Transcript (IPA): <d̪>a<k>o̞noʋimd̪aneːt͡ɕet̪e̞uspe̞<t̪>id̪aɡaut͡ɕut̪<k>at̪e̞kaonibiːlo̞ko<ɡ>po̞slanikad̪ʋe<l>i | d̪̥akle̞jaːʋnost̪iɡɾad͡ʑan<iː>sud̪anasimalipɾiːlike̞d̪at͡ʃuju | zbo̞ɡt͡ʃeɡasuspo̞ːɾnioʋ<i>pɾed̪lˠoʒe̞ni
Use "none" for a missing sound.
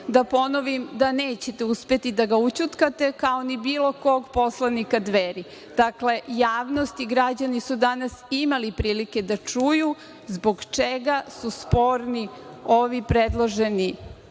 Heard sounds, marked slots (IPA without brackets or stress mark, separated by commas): d̪, p, t̪, k, ɡ, ɾ, i, i